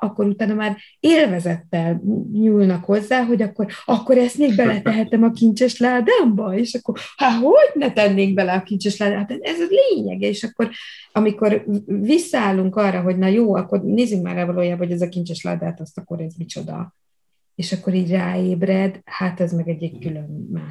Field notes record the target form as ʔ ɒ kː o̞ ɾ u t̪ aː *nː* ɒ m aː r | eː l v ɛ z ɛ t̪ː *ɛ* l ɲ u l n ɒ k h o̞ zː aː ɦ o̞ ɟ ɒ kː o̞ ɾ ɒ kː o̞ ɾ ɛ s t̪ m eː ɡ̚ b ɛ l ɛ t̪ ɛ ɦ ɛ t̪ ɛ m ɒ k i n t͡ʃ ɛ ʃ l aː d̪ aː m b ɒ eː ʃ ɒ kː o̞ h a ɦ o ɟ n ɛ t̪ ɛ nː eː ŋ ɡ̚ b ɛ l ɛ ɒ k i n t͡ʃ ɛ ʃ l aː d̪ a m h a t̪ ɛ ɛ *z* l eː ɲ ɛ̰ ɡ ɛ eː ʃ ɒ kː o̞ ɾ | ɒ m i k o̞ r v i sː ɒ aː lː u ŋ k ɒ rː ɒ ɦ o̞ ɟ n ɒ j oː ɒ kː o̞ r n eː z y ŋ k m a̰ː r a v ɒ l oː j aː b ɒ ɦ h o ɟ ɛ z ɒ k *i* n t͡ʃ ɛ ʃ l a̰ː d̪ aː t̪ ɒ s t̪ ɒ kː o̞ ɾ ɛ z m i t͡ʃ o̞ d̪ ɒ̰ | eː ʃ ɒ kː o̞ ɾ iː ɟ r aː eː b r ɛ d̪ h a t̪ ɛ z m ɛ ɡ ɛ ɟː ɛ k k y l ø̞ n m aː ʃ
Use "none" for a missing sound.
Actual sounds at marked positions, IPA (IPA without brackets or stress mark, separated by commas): n, ɛ, z, i